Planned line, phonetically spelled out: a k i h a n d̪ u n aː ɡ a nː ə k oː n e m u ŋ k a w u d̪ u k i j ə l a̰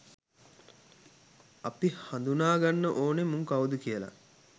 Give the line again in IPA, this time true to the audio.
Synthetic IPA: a p i h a n d̪ u n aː ɡ a nː ə ʔ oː n e m u ŋ k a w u d̪ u k i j ə l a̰

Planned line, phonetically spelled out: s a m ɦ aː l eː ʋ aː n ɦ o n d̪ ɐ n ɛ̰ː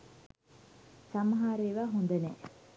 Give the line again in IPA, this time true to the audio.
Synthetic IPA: s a m ɦ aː ɾ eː ʋ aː ɦ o n d̪ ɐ n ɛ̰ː

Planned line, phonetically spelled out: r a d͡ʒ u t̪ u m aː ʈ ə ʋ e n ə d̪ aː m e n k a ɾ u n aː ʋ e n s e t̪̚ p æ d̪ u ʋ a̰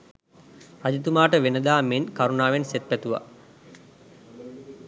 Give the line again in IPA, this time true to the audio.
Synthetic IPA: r a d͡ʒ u t̪ u m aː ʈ ə ʋ e n ə d̪ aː m e n k a ɾ u n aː ʋ e n s e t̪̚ p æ t̪ u ʋ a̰

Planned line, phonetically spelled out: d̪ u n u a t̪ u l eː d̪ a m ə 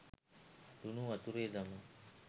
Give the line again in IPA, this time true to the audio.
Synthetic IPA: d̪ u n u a t̪ u ɾ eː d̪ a m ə

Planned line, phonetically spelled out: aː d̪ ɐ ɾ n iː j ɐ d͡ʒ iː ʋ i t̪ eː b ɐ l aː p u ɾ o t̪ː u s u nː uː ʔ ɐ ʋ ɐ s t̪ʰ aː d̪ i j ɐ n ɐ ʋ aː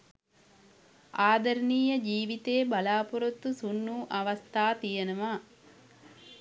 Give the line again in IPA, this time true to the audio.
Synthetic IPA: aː d̪ ɐ ɾ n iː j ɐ d͡ʒ iː ʋ i t̪ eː b ɐ l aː p u ɾ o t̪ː u s u nː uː ʔ ɐ ʋ ɐ s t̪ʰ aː t̪ i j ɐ n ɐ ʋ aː

